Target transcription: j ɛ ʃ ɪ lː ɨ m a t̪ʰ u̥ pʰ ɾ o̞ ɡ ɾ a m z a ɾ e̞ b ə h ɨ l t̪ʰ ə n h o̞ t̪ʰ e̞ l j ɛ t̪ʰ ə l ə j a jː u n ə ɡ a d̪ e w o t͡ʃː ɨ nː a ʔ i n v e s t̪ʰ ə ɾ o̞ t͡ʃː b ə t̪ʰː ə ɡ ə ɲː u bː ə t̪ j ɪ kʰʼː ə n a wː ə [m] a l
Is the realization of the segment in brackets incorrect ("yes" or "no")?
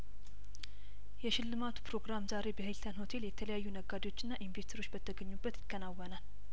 yes